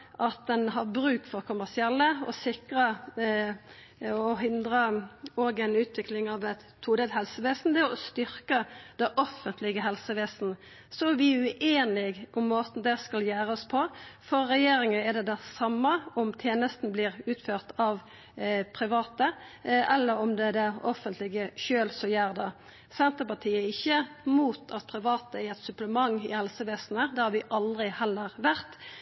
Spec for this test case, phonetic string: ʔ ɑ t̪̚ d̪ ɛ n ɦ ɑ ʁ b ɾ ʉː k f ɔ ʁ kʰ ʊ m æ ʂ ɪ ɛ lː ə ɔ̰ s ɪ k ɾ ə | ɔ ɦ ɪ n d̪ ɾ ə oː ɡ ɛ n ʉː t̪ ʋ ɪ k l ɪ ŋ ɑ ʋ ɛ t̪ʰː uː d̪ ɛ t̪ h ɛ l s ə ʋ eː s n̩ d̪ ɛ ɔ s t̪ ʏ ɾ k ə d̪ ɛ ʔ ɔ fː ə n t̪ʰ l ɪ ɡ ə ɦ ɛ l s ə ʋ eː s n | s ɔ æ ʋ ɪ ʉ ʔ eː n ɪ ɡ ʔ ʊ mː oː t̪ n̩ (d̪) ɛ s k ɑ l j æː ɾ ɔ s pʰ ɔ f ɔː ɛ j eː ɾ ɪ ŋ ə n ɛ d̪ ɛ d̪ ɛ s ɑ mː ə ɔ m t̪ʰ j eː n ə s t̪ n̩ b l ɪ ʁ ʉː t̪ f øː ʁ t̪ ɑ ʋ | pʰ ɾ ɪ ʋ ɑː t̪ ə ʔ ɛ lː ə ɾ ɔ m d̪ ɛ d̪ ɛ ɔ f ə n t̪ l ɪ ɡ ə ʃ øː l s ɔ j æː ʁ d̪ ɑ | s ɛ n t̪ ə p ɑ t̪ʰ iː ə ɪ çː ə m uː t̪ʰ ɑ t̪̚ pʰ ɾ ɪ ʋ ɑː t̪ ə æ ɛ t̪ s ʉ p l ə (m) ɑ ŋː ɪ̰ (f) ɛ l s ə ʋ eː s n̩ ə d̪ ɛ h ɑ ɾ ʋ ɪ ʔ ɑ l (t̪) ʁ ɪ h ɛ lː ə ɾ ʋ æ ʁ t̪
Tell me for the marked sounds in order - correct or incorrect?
correct, correct, incorrect: h, incorrect: d̪

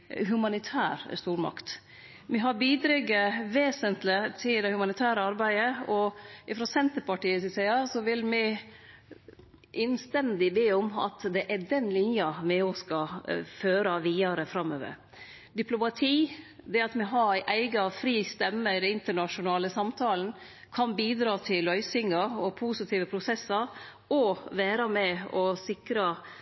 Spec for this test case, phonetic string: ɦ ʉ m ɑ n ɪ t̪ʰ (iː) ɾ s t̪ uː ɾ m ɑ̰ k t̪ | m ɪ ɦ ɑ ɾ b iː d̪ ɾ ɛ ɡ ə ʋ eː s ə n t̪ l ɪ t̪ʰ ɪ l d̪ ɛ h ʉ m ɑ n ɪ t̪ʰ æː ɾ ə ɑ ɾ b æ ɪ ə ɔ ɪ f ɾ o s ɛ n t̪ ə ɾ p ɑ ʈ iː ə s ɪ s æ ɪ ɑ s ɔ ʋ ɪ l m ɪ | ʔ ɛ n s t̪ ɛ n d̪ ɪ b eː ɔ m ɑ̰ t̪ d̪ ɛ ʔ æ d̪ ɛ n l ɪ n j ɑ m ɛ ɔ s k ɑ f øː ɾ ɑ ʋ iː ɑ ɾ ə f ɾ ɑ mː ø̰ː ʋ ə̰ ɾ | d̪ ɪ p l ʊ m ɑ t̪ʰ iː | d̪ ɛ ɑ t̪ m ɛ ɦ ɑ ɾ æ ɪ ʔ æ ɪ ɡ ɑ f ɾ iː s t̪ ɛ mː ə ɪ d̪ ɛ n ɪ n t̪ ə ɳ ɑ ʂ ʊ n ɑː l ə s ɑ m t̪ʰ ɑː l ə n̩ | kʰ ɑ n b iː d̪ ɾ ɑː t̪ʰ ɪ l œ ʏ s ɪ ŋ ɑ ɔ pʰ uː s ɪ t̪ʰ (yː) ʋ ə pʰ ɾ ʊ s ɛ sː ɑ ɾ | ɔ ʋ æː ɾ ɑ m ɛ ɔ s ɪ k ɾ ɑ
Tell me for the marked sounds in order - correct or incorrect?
incorrect: æː, incorrect: iː

